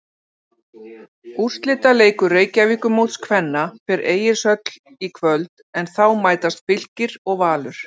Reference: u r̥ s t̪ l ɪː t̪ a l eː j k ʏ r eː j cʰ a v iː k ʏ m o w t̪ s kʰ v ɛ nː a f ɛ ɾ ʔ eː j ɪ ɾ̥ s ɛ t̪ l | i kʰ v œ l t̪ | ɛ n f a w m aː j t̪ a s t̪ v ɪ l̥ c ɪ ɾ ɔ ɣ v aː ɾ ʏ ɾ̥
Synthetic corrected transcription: u r̥ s t̪ l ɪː t̪ a l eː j k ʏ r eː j c a v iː k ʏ m o w t̪ s kʰ v ɛ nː a f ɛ ɾ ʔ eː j ɪ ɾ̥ s œ t̪ l | i kʰ v œ l t̪ | ɛ n θ a w m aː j t̪ a s t̪ f ɪ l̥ c ɪ ɾ ɔ ɣ v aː l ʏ ɾ̥